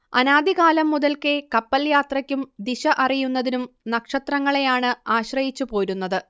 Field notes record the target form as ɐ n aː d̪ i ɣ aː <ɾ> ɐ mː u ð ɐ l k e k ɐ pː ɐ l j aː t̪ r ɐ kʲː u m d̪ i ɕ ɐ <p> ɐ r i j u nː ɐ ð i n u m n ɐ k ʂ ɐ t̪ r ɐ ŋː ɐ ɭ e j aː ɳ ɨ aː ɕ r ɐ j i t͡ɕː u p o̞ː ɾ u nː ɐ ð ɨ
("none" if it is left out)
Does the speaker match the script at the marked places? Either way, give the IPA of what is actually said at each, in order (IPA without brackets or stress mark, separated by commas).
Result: l, ʔ